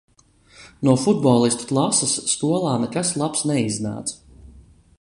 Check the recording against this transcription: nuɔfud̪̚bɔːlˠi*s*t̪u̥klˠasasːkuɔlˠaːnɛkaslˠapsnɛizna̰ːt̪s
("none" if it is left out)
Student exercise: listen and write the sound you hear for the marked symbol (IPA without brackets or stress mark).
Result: s